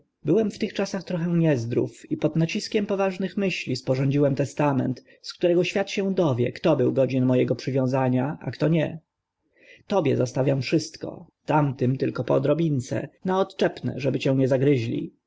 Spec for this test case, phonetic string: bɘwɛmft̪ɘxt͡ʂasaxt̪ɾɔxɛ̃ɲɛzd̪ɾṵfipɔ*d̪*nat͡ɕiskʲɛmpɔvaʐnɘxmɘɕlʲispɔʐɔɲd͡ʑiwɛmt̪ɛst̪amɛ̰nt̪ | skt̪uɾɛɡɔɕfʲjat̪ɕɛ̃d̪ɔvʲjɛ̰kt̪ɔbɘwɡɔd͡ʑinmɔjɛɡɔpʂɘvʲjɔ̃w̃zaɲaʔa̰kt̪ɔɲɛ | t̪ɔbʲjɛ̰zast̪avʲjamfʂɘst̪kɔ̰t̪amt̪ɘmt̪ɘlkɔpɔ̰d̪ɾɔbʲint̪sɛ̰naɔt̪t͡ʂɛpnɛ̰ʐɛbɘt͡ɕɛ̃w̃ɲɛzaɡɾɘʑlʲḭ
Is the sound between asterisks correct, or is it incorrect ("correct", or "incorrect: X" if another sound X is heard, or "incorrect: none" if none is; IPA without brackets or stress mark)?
correct